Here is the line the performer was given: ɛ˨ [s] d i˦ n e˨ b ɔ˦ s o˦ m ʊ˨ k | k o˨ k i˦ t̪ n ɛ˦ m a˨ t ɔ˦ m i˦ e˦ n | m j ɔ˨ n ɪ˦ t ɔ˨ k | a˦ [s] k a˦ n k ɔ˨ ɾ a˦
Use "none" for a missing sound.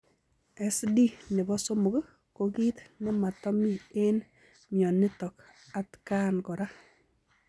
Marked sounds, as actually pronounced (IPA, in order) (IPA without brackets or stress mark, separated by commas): s, t